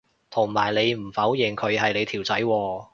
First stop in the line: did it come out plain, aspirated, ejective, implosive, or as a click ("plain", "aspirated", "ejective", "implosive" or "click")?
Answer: aspirated